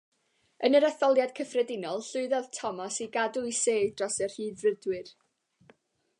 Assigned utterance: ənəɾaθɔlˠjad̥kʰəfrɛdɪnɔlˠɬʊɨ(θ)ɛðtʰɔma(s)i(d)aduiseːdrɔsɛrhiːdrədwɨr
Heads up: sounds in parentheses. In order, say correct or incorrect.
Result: incorrect, correct, incorrect

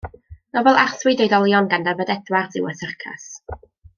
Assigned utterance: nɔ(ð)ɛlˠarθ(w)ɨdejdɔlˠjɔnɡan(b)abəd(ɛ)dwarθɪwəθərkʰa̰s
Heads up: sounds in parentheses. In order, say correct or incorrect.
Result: incorrect, correct, incorrect, correct

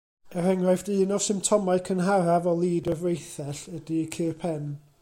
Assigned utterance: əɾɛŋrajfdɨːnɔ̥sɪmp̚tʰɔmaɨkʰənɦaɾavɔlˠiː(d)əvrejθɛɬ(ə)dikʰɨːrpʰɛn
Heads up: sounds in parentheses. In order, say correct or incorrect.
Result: correct, correct

